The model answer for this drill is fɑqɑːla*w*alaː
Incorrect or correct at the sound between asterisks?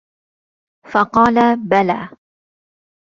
incorrect: b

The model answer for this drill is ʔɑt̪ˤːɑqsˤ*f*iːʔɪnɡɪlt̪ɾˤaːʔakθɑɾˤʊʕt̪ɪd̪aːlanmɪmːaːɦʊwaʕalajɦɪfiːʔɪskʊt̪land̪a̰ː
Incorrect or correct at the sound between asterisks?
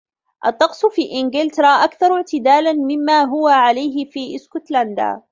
correct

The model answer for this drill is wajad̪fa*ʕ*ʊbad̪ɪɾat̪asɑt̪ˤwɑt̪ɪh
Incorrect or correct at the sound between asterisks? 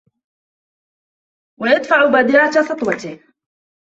correct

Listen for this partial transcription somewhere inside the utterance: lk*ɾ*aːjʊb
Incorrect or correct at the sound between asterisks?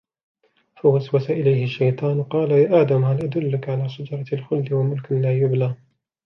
incorrect: l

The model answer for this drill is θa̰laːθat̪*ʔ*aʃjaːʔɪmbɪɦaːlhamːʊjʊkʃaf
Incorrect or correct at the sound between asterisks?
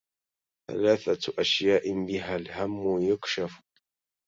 correct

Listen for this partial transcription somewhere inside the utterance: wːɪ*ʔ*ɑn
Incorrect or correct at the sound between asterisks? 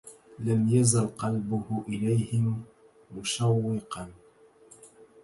incorrect: q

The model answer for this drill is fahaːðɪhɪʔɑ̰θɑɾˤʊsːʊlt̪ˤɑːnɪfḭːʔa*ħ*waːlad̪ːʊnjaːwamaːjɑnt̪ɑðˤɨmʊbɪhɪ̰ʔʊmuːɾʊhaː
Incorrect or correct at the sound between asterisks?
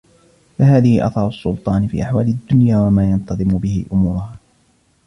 correct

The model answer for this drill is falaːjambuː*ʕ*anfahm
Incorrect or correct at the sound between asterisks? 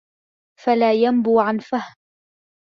correct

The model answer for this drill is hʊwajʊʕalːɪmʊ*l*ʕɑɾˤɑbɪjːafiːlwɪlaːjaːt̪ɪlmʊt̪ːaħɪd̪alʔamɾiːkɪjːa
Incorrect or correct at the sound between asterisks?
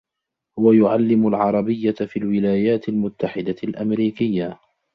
correct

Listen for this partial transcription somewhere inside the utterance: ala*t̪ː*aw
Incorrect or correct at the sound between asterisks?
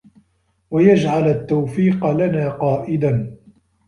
correct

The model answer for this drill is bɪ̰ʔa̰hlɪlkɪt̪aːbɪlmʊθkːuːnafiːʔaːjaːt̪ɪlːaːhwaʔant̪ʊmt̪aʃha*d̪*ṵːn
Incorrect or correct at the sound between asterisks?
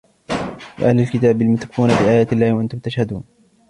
correct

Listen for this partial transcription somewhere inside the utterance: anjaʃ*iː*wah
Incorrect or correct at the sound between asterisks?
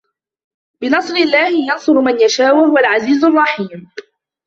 incorrect: aː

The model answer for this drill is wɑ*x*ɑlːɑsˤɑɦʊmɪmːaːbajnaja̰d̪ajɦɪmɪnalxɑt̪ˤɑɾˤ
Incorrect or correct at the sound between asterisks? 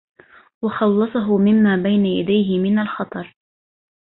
correct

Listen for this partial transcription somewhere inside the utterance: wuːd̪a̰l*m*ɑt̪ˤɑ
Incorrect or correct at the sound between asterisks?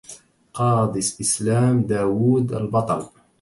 incorrect: b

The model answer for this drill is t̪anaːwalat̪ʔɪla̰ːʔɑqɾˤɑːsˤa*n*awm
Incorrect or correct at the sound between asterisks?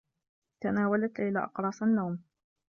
incorrect: nː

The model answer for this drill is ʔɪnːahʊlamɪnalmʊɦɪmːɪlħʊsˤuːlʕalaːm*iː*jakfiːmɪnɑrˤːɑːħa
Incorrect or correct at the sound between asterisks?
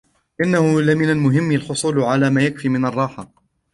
incorrect: aː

